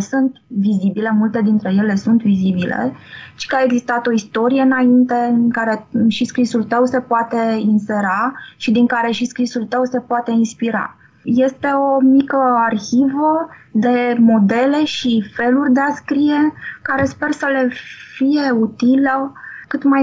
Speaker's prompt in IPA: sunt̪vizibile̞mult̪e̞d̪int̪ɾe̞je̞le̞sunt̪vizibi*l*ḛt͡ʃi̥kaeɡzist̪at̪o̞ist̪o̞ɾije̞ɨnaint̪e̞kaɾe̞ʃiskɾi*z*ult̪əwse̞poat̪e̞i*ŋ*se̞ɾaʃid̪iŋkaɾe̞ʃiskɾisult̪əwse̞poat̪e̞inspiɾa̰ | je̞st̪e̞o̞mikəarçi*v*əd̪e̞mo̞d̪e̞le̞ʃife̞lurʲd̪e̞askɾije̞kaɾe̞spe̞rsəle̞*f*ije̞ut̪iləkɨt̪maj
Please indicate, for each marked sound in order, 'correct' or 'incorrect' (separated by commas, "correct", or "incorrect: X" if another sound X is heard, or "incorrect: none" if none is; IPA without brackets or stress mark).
correct, incorrect: s, incorrect: n, correct, correct